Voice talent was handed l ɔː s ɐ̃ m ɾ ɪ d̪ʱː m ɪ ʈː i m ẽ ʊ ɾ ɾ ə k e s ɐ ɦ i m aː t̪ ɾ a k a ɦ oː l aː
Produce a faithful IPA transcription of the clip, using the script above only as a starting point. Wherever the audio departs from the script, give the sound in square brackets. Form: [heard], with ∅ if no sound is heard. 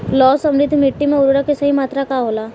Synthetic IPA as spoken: l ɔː s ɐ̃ m ɾ ɪ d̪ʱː m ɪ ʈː i m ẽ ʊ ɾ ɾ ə k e s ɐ ɦ i m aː t̪ ɾ a k a ɦ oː l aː